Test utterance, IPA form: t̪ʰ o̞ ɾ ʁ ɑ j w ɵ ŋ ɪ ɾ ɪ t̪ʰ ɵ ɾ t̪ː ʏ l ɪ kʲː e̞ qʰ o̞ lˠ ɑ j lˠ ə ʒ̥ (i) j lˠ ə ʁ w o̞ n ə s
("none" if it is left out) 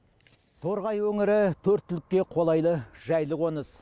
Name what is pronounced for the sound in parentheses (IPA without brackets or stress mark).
æ